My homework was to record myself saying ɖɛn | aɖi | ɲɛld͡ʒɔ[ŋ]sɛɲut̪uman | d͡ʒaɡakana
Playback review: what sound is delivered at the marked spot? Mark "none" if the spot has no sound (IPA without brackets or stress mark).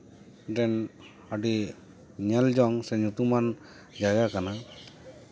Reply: ŋ